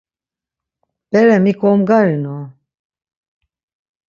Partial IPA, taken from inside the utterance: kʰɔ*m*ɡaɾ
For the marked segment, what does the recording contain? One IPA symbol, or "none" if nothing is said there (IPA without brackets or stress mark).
m